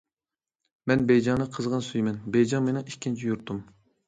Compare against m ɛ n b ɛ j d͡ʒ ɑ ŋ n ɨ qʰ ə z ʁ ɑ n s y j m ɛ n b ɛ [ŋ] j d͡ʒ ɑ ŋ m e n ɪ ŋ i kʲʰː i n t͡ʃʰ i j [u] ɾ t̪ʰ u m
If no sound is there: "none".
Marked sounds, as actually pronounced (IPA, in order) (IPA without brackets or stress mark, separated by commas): none, u